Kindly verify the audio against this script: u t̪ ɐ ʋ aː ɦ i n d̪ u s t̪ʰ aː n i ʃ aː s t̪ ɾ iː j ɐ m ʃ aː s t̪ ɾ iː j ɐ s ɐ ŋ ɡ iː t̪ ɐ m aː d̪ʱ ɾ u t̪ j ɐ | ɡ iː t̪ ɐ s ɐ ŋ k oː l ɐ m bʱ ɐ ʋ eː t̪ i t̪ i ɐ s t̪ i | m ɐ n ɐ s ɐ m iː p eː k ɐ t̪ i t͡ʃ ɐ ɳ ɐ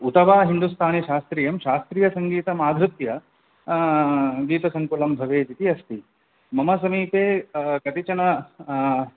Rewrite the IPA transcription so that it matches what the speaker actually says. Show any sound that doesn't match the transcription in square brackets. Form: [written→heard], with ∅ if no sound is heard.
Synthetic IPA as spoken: u t̪ ɐ ʋ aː ɦ i n d̪ u s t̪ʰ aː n i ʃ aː s t̪ ɾ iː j ɐ m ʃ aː s t̪ ɾ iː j ɐ s ɐ ŋ ɡ iː t̪ ɐ m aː d̪ʱ ɾ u t̪ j ɐ | ɡ iː t̪ ɐ s ɐ ŋ k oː l ɐ m bʱ ɐ ʋ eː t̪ i t̪ i ɐ s t̪ i | m ɐ [n→m] ɐ s ɐ m iː p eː k ɐ t̪ i t͡ʃ ɐ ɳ ɐ